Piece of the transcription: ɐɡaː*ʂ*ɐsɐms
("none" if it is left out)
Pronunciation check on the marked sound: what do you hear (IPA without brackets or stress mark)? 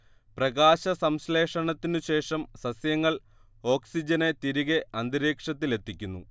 ɕ